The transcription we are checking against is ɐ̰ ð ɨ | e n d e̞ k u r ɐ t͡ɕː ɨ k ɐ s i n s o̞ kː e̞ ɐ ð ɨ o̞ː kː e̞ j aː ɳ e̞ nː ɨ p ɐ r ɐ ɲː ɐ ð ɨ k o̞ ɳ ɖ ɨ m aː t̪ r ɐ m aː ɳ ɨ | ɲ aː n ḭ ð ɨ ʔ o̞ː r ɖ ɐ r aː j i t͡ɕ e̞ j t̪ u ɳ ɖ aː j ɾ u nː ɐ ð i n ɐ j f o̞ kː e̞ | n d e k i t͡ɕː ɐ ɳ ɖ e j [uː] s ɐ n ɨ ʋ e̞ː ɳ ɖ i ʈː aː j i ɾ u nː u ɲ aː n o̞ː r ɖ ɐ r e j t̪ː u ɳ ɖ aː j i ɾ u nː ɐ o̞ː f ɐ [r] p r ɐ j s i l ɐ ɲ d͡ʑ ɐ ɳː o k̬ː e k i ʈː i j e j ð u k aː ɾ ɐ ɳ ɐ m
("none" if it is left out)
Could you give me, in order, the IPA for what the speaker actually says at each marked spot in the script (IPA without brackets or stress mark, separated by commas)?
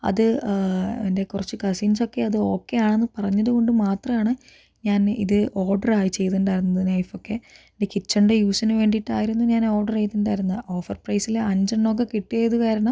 uː, r